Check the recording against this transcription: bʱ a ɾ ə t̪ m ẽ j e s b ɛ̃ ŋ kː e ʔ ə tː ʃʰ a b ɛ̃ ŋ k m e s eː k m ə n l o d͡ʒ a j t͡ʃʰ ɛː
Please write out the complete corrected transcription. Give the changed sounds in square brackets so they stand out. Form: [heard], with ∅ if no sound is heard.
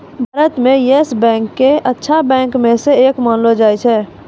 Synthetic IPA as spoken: bʱ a ɾ ə t̪ m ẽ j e s b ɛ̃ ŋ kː e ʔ ə tː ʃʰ a b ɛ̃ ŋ k m e s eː k m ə n l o d͡ʒ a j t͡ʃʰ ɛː